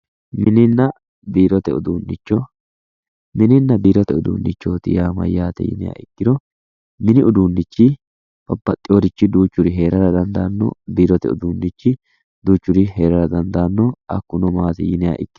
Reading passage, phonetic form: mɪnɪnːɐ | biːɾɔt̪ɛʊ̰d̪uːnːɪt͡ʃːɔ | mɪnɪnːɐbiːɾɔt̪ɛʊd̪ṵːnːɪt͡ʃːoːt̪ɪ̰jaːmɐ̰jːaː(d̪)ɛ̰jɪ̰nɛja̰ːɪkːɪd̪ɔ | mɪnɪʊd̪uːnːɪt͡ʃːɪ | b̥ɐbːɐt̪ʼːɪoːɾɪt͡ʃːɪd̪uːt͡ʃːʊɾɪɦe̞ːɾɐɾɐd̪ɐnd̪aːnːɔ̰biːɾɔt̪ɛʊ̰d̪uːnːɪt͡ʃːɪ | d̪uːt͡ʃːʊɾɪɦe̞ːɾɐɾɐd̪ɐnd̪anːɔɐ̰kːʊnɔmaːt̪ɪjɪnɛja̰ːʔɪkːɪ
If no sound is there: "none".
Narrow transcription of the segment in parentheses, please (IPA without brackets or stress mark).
t̪